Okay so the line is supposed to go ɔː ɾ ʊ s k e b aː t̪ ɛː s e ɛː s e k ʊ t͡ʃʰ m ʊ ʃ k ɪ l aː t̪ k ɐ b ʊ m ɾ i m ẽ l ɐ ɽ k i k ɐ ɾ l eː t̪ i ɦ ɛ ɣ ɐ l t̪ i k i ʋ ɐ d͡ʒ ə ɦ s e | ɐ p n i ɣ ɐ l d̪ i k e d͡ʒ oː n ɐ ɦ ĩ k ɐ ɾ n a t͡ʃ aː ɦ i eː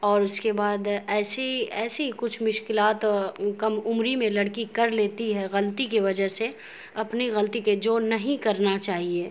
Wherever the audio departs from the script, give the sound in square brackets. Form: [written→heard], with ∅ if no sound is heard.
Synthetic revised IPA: ɔː ɾ ʊ s k e b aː [t̪→d̪] ɛː s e ɛː s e k ʊ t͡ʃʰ m ʊ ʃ k ɪ l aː t̪ k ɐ [b→m] ʊ m ɾ i m ẽ l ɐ ɽ k i k ɐ ɾ l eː t̪ i ɦ ɛ ɣ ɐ l t̪ i k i ʋ ɐ d͡ʒ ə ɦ s e | ɐ p n i ɣ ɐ l [d̪→t̪] i k e d͡ʒ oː n ɐ ɦ ĩ k ɐ ɾ n a t͡ʃ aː ɦ i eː